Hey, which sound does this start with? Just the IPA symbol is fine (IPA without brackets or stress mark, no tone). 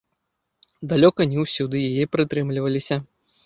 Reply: d̪